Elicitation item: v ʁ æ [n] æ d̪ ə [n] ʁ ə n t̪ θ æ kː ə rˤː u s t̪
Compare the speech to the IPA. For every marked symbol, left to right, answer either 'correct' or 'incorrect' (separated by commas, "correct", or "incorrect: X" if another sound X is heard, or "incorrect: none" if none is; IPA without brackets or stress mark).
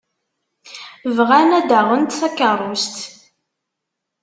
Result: correct, incorrect: none